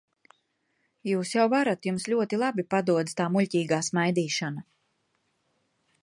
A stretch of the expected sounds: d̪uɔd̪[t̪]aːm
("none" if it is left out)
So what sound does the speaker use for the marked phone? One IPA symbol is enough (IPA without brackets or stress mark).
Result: t̪